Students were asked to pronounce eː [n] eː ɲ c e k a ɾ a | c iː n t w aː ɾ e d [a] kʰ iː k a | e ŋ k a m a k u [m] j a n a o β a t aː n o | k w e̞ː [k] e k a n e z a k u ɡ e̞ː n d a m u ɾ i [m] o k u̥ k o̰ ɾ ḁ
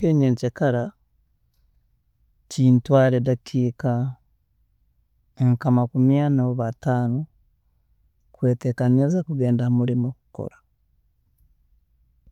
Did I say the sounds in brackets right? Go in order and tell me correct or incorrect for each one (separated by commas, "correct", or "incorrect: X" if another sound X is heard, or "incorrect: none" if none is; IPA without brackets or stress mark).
incorrect: ɲ, correct, correct, incorrect: t, correct